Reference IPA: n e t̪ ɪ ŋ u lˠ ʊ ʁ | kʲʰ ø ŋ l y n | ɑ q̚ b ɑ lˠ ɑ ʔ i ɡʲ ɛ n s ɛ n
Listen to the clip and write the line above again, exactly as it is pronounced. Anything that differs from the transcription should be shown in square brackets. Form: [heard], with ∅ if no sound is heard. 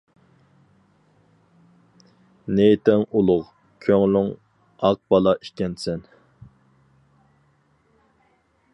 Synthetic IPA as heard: n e t̪ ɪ ŋ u lˠ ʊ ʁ | kʲʰ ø ŋ l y [ŋ] | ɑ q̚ b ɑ lˠ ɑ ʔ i [kʲ] ɛ n s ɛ n